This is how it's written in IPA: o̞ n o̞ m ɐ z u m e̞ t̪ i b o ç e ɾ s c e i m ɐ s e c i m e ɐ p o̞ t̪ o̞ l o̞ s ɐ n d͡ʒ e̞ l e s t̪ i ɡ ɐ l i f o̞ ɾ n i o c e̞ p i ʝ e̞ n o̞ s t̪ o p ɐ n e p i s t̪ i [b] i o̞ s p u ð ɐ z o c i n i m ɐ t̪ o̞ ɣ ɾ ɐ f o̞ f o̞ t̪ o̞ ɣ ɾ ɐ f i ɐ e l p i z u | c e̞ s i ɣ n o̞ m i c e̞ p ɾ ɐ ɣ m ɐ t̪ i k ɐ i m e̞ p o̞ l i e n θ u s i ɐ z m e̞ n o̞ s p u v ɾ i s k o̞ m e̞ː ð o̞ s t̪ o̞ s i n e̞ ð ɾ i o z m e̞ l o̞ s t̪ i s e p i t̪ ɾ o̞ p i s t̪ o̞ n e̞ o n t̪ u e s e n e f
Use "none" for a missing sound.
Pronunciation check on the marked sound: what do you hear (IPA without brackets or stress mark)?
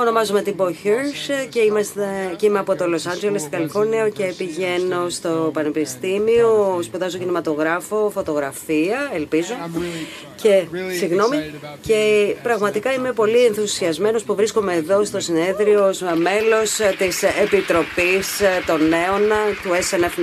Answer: m